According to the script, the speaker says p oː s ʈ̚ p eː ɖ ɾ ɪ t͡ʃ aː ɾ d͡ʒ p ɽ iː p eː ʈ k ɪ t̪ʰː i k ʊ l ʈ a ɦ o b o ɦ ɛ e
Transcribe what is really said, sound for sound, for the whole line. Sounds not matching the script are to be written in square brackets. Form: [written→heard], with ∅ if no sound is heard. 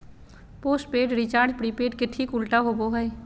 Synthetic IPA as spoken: p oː s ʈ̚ p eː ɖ ɾ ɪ t͡ʃ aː ɾ d͡ʒ p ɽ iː p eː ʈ k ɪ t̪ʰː i k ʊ l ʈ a ɦ o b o ɦ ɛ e